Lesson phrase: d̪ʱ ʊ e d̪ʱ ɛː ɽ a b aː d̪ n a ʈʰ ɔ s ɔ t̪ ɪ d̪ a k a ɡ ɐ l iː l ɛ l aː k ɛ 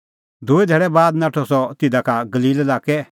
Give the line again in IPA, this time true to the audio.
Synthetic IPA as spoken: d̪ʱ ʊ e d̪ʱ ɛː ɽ ɛ b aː d̪ n a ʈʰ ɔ s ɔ t̪ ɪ d̪ a k a ɡ ɐ l iː l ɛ l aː k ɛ